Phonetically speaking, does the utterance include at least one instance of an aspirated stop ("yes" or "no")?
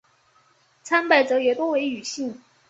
yes